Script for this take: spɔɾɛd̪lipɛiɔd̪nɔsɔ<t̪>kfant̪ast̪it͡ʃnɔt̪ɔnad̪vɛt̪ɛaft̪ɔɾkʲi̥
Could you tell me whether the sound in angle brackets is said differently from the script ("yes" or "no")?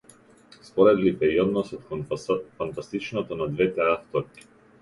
no